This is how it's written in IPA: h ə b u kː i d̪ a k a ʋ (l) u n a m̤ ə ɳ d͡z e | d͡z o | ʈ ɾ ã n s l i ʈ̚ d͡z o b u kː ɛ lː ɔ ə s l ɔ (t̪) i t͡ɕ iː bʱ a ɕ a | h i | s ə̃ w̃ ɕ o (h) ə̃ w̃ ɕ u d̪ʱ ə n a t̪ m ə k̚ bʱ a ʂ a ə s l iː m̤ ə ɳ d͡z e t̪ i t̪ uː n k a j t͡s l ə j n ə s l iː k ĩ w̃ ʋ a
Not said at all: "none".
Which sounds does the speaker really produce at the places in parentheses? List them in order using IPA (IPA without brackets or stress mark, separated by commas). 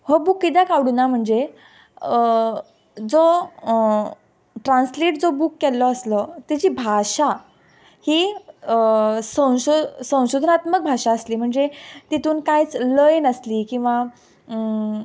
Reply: ɽ, t̪, s